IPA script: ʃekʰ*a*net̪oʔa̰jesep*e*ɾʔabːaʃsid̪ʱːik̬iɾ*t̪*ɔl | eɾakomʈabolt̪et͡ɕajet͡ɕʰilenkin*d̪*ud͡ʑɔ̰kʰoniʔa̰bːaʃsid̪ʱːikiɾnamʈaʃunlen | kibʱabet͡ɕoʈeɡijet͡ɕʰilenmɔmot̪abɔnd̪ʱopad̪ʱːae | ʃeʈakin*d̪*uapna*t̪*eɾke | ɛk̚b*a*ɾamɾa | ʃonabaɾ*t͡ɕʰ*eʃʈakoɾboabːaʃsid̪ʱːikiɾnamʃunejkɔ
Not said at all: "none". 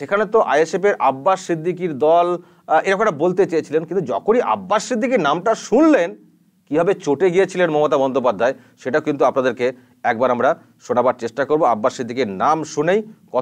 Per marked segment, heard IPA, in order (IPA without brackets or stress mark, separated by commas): a, e, d̪, t̪, t̪, d̪, a, t͡ɕ